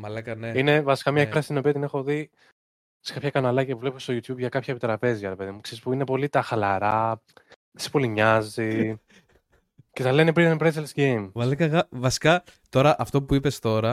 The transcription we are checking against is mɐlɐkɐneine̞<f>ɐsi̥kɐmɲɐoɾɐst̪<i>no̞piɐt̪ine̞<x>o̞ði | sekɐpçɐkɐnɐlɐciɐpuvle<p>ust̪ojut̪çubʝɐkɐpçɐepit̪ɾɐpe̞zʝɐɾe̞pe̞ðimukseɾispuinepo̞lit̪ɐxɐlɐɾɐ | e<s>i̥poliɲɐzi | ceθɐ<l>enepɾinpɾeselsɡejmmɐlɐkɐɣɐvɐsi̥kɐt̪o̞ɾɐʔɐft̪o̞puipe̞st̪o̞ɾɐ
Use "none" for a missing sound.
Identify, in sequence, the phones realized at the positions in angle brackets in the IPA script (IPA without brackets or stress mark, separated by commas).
v, i, x, p, s, l